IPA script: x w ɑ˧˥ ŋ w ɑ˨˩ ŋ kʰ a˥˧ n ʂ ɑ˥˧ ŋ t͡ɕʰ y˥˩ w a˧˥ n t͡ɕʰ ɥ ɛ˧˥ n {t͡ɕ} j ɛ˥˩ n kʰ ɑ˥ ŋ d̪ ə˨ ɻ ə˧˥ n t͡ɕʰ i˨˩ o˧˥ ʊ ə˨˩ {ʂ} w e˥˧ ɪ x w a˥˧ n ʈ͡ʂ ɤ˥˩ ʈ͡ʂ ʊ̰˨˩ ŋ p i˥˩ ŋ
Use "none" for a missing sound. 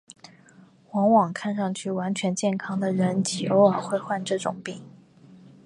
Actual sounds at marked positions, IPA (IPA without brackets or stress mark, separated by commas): t͡ɕ, x